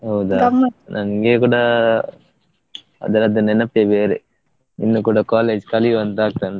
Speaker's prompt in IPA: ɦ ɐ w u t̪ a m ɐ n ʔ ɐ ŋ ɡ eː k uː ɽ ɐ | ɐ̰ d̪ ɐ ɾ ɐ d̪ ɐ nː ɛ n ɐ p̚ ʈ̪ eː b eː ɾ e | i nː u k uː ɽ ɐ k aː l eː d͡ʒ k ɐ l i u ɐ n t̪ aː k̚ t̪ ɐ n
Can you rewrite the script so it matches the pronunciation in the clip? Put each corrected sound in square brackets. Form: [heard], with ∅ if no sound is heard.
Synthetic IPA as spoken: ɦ ɐ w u [d̪] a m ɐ n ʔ ɐ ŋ ɡ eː k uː ɽ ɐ | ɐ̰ d̪ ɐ ɾ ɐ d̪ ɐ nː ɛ n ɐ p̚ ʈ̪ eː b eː ɾ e | i nː u k uː ɽ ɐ k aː l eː d͡ʒ k ɐ l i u ɐ n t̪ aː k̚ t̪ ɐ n